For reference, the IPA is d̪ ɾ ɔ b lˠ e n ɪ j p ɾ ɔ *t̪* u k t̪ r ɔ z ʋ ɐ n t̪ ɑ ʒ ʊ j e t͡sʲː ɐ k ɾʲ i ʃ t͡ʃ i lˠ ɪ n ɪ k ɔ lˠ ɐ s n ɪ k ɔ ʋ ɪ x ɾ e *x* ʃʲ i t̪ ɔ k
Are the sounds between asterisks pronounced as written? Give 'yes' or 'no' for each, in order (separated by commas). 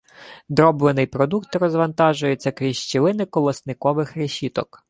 no, no